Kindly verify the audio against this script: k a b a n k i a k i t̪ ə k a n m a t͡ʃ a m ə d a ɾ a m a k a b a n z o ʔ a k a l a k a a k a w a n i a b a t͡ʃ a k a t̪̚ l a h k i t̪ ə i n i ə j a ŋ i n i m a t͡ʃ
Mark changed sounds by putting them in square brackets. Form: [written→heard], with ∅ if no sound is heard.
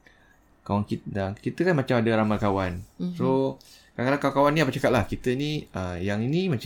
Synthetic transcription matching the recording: k a [b→w] a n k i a k i t̪ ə k a n m a t͡ʃ a m [ə→a] d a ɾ a m a k a [b→w] a n [z→s] o [ʔ→k] a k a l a k a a k a w a n i a [b→p] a t͡ʃ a k a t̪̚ l a h k i t̪ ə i n i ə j a ŋ i n i m a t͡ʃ